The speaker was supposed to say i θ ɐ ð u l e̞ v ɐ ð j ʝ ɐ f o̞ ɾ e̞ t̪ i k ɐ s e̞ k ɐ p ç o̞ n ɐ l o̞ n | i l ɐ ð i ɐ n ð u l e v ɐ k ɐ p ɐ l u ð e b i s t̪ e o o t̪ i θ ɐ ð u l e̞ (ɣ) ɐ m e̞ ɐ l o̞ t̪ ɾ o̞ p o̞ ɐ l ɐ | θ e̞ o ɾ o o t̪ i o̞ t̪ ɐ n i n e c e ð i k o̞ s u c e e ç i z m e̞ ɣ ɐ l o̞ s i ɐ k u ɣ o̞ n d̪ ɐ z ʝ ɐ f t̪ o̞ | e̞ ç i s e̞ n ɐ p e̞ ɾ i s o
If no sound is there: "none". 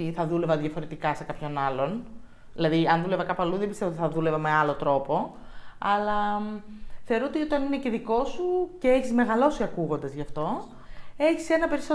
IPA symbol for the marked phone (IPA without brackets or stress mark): v